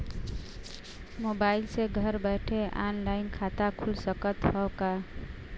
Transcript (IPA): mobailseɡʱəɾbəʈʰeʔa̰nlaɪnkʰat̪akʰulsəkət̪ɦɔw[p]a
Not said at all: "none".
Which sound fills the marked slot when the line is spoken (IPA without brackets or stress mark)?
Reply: k